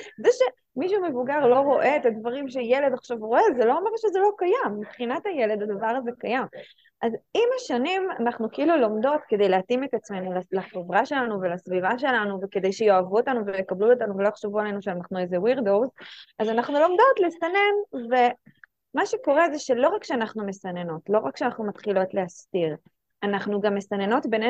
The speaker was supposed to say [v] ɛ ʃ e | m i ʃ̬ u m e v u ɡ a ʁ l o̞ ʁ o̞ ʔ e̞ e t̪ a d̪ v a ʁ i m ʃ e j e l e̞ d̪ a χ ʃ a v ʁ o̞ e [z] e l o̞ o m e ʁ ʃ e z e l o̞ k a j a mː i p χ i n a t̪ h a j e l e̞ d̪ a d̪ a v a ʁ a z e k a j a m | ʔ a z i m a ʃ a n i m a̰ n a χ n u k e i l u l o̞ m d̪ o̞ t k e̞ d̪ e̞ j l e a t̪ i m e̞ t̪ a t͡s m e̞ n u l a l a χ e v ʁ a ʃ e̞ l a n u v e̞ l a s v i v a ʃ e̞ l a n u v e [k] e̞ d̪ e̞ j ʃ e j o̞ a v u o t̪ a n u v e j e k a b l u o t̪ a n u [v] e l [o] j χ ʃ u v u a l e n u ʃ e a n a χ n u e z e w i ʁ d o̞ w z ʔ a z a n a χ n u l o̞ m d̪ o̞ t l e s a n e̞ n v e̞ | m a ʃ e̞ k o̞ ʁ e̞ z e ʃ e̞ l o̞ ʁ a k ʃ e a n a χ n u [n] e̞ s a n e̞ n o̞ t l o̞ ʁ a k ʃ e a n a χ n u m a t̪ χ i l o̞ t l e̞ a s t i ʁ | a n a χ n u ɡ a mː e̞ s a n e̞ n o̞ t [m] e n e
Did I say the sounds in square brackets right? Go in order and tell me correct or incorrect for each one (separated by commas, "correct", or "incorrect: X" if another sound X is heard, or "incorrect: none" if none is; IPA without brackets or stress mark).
incorrect: z, correct, correct, correct, correct, incorrect: m, incorrect: b